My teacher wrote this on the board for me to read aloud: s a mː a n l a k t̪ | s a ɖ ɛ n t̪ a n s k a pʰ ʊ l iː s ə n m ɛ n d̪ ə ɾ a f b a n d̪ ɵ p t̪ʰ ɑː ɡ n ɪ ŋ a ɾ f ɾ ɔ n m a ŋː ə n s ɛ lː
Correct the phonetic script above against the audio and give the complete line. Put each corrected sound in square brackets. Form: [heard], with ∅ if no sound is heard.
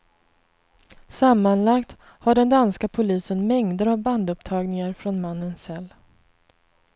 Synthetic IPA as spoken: s a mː a n l a k t̪ | [h] a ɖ ɛ n [d̪] a n s k a pʰ ʊ l iː s ə n m ɛ [ŋ] d̪ ə ɾ a [v] b a n d̪ ɵ p t̪ʰ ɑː ɡ n ɪ ŋ a ɾ f ɾ ɔ n m a [nː] ə n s ɛ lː

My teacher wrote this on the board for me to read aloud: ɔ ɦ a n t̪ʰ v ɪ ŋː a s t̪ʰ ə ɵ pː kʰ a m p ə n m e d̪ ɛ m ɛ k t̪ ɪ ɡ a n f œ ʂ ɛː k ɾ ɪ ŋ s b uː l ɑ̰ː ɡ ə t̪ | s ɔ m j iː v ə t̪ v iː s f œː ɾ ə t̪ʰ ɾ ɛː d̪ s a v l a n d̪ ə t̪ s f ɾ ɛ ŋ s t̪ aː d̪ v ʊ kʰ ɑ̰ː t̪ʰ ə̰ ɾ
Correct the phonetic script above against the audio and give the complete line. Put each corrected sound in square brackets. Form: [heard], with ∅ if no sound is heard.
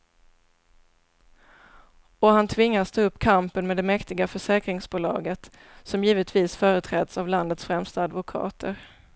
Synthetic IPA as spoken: ɔ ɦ a n t̪ʰ v ɪ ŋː a s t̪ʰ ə ɵ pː kʰ a m p ə n m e d̪ ɛ m ɛ k t̪ ɪ ɡ a [∅] f œ ʂ ɛː k ɾ ɪ ŋ s b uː l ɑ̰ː ɡ ə t̪ | s ɔ m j iː v ə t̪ v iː s f œː ɾ ə t̪ʰ ɾ ɛː d̪ s a v l a n d̪ ə t̪ s f ɾ ɛ [m] s t̪ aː d̪ v ʊ kʰ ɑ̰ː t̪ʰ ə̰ ɾ

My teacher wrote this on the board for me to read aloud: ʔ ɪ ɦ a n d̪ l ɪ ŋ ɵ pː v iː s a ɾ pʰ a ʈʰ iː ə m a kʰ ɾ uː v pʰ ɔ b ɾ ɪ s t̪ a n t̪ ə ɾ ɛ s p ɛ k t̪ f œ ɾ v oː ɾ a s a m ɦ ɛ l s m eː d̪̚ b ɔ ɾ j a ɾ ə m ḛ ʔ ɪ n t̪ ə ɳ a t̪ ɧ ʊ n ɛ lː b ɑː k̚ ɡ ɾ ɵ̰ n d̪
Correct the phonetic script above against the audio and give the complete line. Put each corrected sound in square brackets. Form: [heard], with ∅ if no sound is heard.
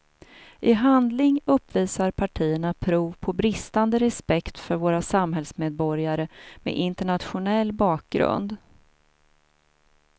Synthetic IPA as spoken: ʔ ɪ ɦ a n d̪ l ɪ ŋ ɵ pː v iː s a ɾ pʰ a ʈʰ iː ə [ɳ] a [pʰ] ɾ uː v pʰ ɔ b ɾ ɪ s t̪ a n [d̪] ə ɾ ɛ s p ɛ k t̪ f œ ɾ v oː ɾ a s a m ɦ ɛ l s m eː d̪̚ b ɔ ɾ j a ɾ ə m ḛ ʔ ɪ n t̪ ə ɳ a t̪ ɧ ʊ n ɛ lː b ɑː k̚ ɡ ɾ ɵ̰ n d̪

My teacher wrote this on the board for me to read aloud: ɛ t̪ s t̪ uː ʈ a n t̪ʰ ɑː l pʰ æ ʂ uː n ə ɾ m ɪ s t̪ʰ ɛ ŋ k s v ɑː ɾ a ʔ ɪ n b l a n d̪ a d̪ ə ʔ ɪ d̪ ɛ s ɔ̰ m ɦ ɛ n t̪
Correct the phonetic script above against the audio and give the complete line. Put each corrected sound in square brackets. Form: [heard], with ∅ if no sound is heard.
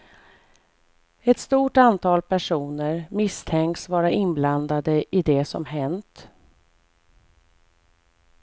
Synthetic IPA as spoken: ɛ t̪ s t̪ uː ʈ a n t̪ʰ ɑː l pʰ æ ʂ uː n ə ɾ m ɪ s t̪ʰ ɛ ŋ k s v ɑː ɾ a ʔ ɪ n b l a n d̪ a d̪ ə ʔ ɪ d̪ ɛ s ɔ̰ m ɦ ɛ n t̪

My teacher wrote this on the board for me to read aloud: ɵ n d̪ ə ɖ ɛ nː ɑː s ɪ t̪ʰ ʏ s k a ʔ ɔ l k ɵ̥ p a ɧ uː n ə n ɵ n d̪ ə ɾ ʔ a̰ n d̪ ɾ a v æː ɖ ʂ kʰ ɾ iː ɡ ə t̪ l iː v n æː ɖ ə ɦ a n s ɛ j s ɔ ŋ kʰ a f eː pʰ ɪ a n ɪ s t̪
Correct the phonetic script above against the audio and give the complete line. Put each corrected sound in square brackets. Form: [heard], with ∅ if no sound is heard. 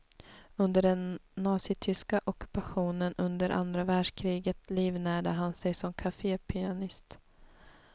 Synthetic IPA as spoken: ɵ n d̪ ə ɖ ɛ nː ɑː s ɪ t̪ʰ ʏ s k a ʔ ɔ [∅] k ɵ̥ p a ɧ uː n ə n ɵ n d̪ ə ɾ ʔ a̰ n d̪ ɾ a v æː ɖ ʂ kʰ ɾ iː ɡ ə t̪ l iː v n æː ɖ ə ɦ a n s ɛ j s ɔ [m] kʰ a f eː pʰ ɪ a n ɪ s t̪

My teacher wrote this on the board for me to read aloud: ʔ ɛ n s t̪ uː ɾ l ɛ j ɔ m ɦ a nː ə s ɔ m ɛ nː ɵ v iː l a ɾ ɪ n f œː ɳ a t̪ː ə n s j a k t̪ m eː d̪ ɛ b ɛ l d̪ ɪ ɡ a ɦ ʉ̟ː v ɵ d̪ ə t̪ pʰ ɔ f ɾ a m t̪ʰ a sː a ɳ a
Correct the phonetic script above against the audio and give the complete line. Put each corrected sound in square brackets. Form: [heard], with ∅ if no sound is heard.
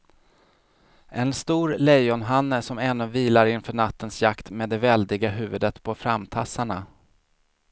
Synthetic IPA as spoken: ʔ ɛ n s t̪ uː ɾ l ɛ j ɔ [n] ɦ a nː ə s ɔ m ɛ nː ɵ v iː l a ɾ ɪ n f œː ɳ a t̪ː ə n s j a k t̪ m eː d̪ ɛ [v] ɛ l d̪ ɪ ɡ a ɦ ʉ̟ː v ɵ d̪ ə t̪ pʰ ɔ f ɾ a m t̪ʰ a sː a ɳ a

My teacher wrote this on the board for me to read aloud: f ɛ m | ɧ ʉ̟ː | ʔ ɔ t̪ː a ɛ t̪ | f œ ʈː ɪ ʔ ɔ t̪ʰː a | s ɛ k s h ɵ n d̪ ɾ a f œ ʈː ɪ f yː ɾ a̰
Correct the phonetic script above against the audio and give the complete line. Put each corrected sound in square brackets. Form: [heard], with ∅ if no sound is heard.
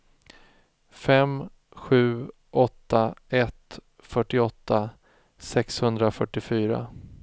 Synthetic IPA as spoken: f ɛ m | ɧ ʉ̟ː | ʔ ɔ t̪ː a ɛ t̪ | f œ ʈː ɪ [∅] ɔ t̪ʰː a | s ɛ k s h ɵ n d̪ ɾ a f œ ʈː ɪ f yː ɾ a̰

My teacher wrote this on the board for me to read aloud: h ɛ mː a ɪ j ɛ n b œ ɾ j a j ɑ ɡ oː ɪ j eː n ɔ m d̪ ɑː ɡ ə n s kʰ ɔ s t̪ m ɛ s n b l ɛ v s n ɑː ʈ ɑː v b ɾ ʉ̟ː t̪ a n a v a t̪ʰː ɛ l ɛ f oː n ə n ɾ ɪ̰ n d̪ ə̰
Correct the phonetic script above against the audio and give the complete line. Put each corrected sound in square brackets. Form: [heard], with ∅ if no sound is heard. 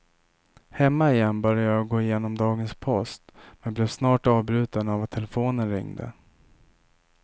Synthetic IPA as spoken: h ɛ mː a ɪ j ɛ n b œ ɾ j a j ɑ ɡ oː ɪ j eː n ɔ m d̪ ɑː ɡ ə n s [pʰ] ɔ s t̪ m ɛ [∅] n b l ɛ v s n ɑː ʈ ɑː v b ɾ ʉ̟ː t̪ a n a v a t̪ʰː ɛ l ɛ f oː n ə n ɾ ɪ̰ [ŋ] d̪ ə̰

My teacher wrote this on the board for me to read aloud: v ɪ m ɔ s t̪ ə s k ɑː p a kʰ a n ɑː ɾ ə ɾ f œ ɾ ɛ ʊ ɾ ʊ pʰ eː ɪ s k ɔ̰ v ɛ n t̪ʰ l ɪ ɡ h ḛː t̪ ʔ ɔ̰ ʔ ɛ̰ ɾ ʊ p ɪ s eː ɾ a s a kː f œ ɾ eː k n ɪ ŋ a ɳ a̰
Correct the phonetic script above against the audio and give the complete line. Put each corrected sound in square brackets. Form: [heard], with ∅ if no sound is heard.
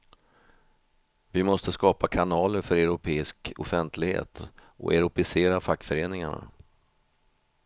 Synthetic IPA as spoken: v ɪ m ɔ s t̪ ə s k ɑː p a kʰ a n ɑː [l] ə ɾ f œ ɾ ɛ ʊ ɾ ʊ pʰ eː ɪ s k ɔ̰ [f] ɛ n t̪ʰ l ɪ ɡ h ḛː t̪ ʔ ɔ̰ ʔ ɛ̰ ɾ ʊ p ɪ s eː ɾ a [f] a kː f œ ɾ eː [∅] n ɪ ŋ a ɳ a̰

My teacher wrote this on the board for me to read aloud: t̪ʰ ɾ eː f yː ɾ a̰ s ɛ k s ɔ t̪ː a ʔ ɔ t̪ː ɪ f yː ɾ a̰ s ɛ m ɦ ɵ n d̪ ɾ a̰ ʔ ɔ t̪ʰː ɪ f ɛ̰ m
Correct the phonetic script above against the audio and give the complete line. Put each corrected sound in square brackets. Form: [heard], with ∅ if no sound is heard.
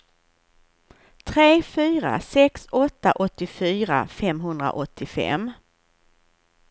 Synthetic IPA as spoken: t̪ʰ ɾ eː f yː ɾ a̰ s ɛ k s ɔ t̪ː a ʔ ɔ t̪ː ɪ f yː ɾ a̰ [f] ɛ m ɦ ɵ n d̪ ɾ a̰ ʔ ɔ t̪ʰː ɪ f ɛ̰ m

